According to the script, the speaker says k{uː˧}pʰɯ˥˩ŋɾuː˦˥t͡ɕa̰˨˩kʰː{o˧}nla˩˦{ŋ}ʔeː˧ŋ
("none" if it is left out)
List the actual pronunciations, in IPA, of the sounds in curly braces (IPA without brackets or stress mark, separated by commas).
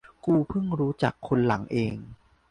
uː˧, o˧, ŋ